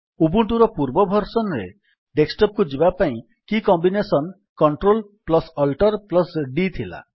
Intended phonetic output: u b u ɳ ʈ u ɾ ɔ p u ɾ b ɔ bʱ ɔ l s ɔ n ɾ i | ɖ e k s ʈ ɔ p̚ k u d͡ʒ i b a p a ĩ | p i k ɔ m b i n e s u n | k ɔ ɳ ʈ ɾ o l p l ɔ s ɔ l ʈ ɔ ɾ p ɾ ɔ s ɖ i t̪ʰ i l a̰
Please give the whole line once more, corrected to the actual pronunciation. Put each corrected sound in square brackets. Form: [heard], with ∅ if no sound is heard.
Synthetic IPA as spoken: u b u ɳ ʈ u ɾ ɔ p u ɾ b ɔ bʱ ɔ [ɾ] s ɔ n ɾ [e] | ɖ e k s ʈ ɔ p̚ k u d͡ʒ i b a p a ĩ | [k] i k ɔ m b i n e s [ɔ] n | k ɔ ɳ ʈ ɾ o l p l ɔ s ɔ l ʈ ɔ ɾ p [l] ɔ s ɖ i t̪ʰ i l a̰

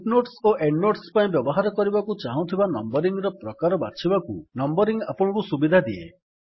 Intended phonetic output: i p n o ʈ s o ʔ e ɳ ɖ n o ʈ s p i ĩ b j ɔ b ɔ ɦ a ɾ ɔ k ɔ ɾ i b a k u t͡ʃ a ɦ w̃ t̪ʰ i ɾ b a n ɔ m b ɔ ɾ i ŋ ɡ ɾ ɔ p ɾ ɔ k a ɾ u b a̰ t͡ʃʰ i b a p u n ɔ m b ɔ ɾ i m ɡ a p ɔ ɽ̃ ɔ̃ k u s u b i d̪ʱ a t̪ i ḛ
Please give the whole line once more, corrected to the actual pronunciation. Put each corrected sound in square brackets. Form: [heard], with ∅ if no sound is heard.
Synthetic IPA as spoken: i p n o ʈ s o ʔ e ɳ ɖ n o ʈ s p [a] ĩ b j ɔ b ɔ ɦ a ɾ ɔ k ɔ ɾ i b a k u t͡ʃ a ɦ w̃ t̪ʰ i [∅] b a n ɔ m b ɔ ɾ i ŋ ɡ ɾ ɔ p ɾ ɔ k a ɾ [ɔ] b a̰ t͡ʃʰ i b a [k] u n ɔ m b ɔ ɾ i [ŋ] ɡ a p ɔ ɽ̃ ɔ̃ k u s u b i d̪ʱ a [d̪] i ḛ

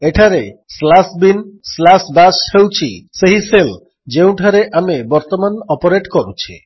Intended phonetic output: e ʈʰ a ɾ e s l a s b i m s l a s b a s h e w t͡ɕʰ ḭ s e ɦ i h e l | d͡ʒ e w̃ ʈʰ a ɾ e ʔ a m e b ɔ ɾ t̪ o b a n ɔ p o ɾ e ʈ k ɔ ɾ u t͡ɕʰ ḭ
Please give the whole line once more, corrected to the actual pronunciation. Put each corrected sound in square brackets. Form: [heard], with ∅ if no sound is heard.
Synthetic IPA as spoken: e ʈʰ a ɾ e s l a s b i [n] s l a s b a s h e w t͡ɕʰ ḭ s e ɦ i [s] e l | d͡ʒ e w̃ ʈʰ a ɾ e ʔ a m e b ɔ ɾ t̪ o [m] a n ɔ p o ɾ e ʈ k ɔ ɾ u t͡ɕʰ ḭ

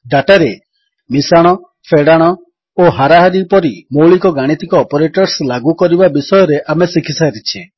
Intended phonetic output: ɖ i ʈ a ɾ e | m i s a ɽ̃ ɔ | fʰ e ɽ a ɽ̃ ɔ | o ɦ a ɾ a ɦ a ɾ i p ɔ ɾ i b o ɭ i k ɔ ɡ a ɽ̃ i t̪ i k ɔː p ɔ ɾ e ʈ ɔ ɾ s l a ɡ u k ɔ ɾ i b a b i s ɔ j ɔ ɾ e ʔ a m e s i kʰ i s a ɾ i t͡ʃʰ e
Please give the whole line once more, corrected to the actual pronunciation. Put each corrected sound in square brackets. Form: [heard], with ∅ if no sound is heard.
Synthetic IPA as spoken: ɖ [a] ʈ a ɾ e | m i s a ɽ̃ ɔ | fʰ e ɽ a ɽ̃ ɔ | o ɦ a ɾ a ɦ a ɾ i p ɔ ɾ i [m] o ɭ i k ɔ ɡ a ɽ̃ i t̪ i k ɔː p ɔ ɾ e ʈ ɔ ɾ s l a ɡ u k ɔ ɾ i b a b i s ɔ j ɔ ɾ e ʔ a m e s i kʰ i s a ɾ i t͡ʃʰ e

